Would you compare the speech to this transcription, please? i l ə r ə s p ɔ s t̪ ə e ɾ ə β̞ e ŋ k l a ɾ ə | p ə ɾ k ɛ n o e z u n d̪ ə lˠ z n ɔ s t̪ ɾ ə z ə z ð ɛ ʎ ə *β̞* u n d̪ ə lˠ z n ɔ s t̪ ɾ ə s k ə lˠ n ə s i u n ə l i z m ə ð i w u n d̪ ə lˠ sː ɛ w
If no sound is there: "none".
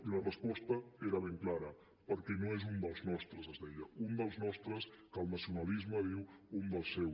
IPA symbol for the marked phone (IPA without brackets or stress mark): none